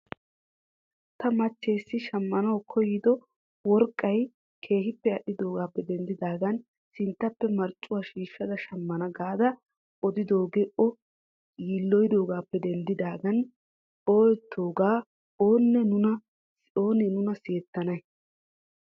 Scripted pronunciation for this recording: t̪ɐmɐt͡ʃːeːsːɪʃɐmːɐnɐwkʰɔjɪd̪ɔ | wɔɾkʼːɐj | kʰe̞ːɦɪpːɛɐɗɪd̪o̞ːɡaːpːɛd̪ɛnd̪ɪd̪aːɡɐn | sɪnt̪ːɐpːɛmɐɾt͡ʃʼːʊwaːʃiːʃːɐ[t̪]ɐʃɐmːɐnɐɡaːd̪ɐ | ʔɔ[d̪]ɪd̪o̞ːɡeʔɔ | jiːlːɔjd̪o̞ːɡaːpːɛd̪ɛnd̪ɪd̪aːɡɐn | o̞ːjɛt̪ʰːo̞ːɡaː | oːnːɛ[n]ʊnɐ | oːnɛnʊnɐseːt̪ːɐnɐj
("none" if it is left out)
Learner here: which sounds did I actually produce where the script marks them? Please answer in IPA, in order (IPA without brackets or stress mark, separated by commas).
d̪, d̪, n